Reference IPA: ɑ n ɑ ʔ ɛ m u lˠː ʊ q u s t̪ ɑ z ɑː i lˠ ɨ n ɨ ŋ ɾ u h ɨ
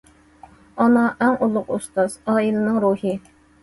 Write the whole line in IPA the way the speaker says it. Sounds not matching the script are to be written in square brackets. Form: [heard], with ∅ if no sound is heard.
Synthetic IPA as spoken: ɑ n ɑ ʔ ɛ [ŋ] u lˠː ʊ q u s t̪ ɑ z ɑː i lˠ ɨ n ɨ ŋ ɾ u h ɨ